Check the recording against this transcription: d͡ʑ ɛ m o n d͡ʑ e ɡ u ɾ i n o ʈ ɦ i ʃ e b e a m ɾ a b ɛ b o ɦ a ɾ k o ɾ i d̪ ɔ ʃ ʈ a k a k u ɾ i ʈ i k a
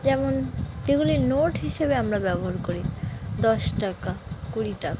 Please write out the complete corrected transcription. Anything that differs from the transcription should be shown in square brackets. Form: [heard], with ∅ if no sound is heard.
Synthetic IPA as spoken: d͡ʑ ɛ m o n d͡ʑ e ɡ u [l] i n o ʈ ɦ i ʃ e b e a m ɾ a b ɛ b o ɦ a ɾ k o ɾ i d̪ ɔ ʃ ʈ a k a k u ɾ i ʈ [a] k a